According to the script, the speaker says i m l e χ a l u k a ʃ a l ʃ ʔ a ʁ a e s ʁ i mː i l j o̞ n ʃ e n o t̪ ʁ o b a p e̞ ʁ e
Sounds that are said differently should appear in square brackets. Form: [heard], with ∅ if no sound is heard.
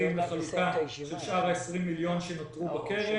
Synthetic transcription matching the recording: i m l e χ a l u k a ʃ [e] l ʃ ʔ a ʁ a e s ʁ i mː i l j o̞ n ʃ e n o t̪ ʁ [u] b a [k] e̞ ʁ e